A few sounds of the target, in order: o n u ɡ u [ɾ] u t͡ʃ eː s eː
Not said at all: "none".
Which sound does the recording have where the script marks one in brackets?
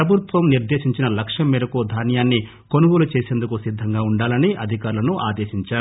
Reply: l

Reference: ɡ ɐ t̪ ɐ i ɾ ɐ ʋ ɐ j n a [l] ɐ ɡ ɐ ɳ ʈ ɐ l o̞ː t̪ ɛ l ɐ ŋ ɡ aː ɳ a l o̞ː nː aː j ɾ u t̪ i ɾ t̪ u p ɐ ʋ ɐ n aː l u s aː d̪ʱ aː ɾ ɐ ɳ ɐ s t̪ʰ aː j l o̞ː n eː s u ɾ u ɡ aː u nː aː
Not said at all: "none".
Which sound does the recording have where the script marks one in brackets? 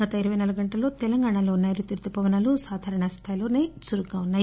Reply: l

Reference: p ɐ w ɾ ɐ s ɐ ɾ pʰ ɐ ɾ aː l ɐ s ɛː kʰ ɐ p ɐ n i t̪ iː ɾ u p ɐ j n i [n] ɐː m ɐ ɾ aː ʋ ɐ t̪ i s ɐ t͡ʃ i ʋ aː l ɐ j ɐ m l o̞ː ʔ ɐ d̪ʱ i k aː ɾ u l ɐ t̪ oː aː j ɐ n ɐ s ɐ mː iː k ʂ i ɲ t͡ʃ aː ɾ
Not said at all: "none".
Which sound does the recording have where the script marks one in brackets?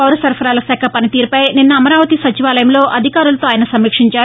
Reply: nː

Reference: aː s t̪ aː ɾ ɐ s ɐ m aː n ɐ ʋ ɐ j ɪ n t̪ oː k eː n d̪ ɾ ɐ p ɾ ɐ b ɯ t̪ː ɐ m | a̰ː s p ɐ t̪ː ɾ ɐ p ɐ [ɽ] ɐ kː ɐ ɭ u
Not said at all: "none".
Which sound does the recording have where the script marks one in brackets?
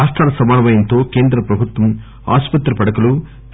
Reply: ɽ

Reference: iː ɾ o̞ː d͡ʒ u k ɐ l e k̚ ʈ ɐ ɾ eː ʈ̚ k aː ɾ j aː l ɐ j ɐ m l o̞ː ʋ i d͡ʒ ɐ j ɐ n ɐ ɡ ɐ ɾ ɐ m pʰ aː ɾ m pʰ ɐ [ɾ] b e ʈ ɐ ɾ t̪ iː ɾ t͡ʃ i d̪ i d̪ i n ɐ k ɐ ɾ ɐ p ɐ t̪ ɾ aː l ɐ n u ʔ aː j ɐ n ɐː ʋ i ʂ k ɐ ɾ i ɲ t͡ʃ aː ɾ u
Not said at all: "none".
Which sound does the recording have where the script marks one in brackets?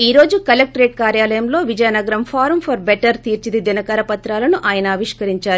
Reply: ɾ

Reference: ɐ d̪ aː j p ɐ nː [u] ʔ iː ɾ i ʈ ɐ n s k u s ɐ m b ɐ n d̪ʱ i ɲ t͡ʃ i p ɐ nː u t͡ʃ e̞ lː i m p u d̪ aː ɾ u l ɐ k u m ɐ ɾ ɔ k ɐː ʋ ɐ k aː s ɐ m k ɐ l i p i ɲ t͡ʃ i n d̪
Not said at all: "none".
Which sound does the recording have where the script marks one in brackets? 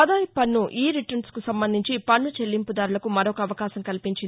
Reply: u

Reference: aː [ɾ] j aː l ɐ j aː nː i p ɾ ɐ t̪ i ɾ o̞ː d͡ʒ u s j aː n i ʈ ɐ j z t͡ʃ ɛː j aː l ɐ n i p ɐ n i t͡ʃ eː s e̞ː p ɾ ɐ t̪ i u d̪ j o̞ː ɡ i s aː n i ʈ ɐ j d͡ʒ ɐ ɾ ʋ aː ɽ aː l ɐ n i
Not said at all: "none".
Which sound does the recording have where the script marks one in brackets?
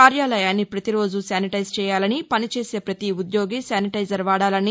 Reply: ɾ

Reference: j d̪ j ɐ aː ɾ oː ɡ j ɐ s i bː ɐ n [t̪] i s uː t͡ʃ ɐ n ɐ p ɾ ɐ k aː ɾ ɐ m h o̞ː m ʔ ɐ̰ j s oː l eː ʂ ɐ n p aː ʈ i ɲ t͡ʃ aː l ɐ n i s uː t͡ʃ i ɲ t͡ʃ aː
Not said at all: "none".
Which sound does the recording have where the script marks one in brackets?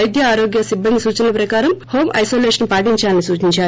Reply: d̪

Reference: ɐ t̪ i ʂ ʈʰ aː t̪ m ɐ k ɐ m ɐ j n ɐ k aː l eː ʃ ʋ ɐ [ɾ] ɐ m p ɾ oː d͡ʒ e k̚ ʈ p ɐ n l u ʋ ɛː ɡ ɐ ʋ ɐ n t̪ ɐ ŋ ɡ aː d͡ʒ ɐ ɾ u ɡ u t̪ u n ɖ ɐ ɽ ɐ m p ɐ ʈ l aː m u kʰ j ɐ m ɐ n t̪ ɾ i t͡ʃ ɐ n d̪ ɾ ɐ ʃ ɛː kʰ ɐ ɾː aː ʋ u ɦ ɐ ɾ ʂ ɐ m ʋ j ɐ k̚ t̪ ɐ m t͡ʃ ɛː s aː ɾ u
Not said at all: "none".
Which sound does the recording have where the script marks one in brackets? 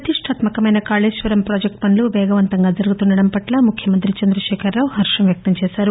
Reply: ɾ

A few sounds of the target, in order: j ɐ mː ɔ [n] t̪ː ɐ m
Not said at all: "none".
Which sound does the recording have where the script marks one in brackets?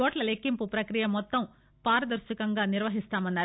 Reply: none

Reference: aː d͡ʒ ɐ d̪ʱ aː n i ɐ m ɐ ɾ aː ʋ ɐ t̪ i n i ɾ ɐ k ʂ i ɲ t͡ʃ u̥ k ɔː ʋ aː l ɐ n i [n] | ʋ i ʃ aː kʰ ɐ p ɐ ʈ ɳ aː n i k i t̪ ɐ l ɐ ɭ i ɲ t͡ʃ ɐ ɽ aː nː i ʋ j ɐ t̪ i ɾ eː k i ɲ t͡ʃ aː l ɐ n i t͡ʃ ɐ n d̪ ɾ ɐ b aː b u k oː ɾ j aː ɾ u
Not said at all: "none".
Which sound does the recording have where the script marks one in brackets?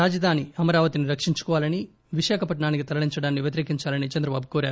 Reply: none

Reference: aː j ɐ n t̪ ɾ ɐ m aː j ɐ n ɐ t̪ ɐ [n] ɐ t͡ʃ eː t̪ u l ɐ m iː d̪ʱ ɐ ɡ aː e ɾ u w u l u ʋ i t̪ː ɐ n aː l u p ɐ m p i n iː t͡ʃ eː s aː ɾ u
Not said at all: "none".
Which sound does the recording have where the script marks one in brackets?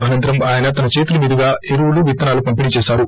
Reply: n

